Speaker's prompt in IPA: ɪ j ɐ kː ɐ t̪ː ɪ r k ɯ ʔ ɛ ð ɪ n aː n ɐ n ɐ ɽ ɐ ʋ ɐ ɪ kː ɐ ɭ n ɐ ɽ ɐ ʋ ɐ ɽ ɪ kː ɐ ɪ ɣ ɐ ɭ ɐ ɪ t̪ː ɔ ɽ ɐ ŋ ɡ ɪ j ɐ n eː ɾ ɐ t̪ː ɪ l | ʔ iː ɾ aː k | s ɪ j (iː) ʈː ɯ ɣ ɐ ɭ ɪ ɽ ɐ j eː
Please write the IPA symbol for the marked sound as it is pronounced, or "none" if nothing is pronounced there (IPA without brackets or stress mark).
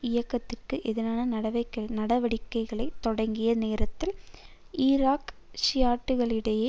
aː